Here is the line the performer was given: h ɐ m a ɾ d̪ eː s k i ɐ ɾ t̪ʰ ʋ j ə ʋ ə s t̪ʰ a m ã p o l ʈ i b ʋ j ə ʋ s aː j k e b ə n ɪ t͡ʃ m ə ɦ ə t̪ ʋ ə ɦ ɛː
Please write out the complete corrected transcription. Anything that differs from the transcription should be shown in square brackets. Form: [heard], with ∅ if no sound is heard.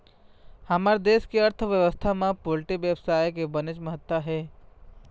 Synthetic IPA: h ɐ m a ɾ d̪ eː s k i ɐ ɾ t̪ʰ ʋ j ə ʋ ə s t̪ʰ a m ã p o l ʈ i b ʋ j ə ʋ s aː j k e b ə n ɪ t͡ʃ m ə ɦ ə t̪ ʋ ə ɦ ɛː